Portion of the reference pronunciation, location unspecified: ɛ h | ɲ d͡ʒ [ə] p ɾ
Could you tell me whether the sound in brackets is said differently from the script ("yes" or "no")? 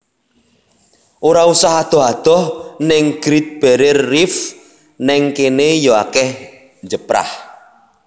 no